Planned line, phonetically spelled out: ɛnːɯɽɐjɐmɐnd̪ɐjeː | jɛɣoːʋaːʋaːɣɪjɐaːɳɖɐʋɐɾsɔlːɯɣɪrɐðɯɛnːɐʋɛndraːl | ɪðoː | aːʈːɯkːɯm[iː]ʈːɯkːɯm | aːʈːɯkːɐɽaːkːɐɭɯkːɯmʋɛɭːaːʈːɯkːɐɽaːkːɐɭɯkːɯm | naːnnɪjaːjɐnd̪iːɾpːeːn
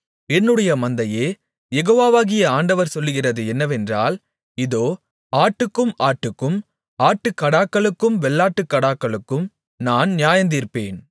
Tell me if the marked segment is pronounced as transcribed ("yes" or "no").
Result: no